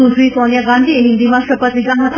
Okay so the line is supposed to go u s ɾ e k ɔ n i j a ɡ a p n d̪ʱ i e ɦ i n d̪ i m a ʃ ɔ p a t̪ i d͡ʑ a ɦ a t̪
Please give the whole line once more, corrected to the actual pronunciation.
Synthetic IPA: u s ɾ i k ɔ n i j a ɡ a n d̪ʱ i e ɦ i n d̪ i m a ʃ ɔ p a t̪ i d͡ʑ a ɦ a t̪

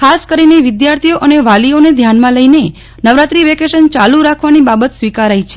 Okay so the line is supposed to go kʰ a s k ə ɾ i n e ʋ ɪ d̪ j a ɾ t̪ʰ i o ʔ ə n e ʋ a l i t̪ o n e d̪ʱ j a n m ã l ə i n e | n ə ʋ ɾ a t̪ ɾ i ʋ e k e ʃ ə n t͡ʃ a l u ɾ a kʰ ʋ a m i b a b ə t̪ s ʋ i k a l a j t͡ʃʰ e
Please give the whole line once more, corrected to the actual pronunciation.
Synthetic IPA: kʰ a s k ə ɾ i n e ʋ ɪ d̪ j a ɾ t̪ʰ i o ʔ ə n e ʋ a l i o n e d̪ʱ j a n m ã l ə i n e | n ə ʋ ɾ a t̪ ɾ i ʋ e k e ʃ ə n t͡ʃ a l u ɾ a kʰ ʋ a n i b a b ə t̪ s ʋ i k a ɾ a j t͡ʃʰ e

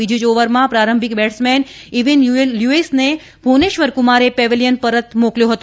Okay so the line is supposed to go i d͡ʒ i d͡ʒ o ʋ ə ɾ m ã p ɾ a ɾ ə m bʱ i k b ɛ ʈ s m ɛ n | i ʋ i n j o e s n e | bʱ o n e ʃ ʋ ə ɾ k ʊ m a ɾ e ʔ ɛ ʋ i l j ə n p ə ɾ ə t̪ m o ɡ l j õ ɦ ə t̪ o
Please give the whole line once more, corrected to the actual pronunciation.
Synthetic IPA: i d͡ʒ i d͡ʒ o ʋ ə ɾ m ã p ɾ a ɾ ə m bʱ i k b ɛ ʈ s m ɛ n | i ʋ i n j u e s n e | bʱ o n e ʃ ʋ ə ɾ k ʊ m a ɾ e p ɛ ʋ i l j ə n p ə ɾ ə t̪ m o k l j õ ɦ ə t̪ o

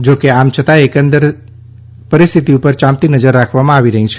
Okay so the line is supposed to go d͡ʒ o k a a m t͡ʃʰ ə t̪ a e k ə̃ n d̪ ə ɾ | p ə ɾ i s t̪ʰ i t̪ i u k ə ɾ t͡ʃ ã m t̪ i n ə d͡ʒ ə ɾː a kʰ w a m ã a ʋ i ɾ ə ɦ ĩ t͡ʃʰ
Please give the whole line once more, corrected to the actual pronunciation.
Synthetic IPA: d͡ʒ o k e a m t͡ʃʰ ə t̪ a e k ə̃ n d̪ ə ɾ | p ə ɾ i s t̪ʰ i t̪ i u p ə ɾ t͡ʃ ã m t̪ i n ə d͡ʒ ə ɾː a kʰ ʋ a m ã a ʋ i ɾ ə ɦ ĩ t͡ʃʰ

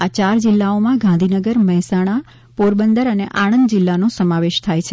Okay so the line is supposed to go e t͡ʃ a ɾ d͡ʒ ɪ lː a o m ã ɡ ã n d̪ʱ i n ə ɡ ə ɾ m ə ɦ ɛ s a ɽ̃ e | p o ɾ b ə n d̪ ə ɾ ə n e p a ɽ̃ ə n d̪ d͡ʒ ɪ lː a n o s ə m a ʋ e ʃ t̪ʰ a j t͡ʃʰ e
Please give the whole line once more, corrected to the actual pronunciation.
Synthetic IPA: a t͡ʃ a ɾ d͡ʒ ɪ lː a o m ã ɡ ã n d̪ʱ i n ə ɡ ə ɾ m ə ɦ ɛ s a ɽ̃ a | p o ɾ b ə n d̪ ə ɾ ə n e ʔ a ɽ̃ ə n d̪ d͡ʒ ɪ lː a n o s ə m a ʋ e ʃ t̪ʰ a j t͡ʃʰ e

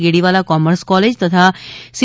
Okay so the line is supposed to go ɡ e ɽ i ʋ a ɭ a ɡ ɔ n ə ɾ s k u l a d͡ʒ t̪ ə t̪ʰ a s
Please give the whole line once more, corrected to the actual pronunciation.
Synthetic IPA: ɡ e ɽ i ʋ a l a k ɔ m ə ɾ s k ɔ l e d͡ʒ t̪ ə t̪ʰ a s

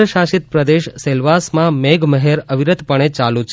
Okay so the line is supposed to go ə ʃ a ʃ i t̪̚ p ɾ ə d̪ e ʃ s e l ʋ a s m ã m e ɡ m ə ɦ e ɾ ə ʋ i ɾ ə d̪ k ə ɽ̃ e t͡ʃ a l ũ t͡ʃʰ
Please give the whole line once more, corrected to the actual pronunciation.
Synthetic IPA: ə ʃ a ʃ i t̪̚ p ɾ ə d̪ e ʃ s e l ʋ a s m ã m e ɡ m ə ɦ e ɾ ə ʋ i ɾ ə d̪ p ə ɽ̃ e t͡ʃ a l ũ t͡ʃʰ

